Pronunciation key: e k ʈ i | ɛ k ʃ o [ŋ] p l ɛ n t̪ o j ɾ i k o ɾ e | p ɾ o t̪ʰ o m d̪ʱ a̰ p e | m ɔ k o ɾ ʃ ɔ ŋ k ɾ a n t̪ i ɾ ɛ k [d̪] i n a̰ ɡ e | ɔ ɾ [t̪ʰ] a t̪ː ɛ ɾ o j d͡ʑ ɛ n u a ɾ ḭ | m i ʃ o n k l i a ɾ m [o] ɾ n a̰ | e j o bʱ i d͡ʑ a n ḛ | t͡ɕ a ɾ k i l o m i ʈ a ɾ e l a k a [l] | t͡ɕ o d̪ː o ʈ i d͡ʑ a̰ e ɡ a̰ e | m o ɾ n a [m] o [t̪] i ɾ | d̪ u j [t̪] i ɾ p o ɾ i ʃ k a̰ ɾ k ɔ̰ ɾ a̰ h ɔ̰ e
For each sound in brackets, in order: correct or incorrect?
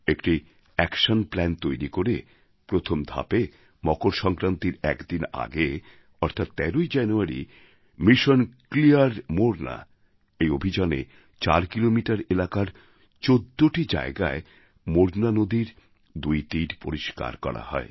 incorrect, correct, correct, correct, incorrect, incorrect, incorrect, correct

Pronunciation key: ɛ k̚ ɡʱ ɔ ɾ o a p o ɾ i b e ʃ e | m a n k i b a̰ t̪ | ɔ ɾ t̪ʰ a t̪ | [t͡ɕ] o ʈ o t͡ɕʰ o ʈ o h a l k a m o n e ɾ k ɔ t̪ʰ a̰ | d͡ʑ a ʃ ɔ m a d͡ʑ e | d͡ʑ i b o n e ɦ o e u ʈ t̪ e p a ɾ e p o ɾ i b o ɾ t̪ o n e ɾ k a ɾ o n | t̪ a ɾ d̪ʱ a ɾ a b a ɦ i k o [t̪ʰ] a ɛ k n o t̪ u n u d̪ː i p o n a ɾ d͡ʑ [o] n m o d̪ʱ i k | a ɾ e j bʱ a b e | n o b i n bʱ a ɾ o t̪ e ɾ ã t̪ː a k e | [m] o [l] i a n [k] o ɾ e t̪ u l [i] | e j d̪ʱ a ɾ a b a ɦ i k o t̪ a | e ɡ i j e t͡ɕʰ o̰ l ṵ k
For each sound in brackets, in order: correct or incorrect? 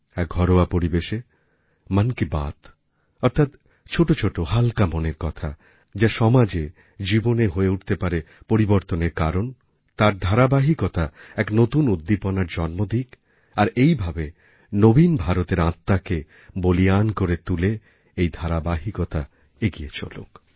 incorrect, incorrect, incorrect, incorrect, correct, correct, incorrect

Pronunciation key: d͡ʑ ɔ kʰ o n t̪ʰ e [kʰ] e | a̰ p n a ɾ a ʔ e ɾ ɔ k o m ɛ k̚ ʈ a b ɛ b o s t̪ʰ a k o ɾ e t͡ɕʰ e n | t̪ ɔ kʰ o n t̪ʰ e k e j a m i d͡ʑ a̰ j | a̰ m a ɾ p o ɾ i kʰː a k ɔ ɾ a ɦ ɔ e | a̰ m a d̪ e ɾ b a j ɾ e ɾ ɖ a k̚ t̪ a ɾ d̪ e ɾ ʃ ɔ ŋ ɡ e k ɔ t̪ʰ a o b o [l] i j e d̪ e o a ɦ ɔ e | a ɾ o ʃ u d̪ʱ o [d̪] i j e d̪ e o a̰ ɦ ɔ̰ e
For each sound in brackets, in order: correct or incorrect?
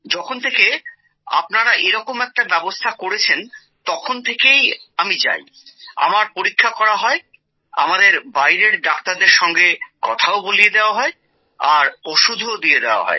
incorrect, correct, correct

